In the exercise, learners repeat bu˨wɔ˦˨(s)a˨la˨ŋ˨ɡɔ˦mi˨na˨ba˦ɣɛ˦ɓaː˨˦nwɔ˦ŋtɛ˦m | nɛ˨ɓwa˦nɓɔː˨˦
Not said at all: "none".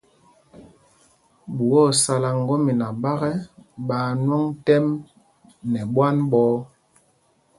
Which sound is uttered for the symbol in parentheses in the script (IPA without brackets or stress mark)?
s